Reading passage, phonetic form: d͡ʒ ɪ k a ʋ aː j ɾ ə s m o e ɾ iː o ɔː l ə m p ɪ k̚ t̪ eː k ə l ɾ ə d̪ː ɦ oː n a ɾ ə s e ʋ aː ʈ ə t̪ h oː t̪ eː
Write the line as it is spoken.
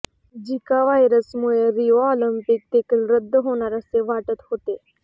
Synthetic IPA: d͡ʒ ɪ k a ʋ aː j ɾ ə s m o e ɾ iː o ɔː l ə m p ɪ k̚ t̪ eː k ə l ɾ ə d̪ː ɦ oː n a ɾ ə s e ʋ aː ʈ ə t̪ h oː t̪ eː